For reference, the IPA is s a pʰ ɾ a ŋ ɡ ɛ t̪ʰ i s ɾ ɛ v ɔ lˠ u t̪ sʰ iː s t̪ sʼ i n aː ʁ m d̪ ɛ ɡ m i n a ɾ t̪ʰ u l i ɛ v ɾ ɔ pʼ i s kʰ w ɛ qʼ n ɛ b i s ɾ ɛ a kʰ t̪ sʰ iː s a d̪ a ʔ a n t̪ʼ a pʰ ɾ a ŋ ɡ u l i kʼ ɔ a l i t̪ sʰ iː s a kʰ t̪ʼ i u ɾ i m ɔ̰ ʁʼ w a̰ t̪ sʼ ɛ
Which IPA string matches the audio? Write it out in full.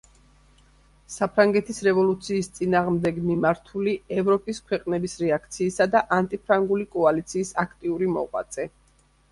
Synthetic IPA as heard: s a pʰ ɾ a ŋ ɡ ɛ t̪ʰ i s ɾ ɛ v ɔ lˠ u t̪ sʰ iː s t̪ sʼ i n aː ʁ m d̪ ɛ ɡ m i m a ɾ t̪ʰ u l i ɛ v ɾ ɔ pʼ i s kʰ w ɛ qʼ n ɛ b i s ɾ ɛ a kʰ t̪ sʰ iː s a d̪ a ʔ a n t̪ʼ i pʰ ɾ a ŋ ɡ u l i kʼ ɔ a l i t̪ sʰ iː s a kʰ t̪ʼ i u ɾ i m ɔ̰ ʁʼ w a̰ t̪ sʼ ɛ